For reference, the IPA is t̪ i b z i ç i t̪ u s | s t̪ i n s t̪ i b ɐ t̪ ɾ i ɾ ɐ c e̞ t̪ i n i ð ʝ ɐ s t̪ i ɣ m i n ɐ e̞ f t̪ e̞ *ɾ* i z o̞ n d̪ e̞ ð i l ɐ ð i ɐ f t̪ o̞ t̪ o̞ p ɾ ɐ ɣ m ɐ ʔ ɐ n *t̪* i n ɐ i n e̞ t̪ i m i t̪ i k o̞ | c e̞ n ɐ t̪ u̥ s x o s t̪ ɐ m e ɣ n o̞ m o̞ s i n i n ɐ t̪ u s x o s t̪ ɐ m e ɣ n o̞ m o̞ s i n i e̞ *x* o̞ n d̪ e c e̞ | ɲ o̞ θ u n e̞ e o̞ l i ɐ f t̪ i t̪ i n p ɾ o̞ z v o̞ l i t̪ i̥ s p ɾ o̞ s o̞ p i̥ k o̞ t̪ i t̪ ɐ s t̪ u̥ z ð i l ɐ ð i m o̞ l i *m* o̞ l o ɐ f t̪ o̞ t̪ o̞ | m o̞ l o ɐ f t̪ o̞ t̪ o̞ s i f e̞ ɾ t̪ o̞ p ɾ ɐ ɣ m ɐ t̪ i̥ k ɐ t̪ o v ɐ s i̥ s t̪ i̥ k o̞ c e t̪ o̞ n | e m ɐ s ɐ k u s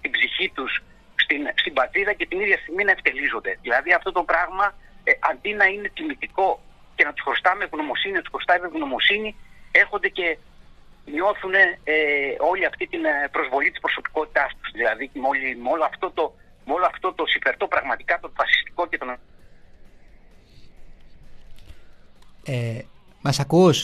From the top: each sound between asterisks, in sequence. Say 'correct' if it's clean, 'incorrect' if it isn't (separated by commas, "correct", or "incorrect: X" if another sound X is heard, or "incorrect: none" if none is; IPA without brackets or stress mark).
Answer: incorrect: l, incorrect: d̪, correct, correct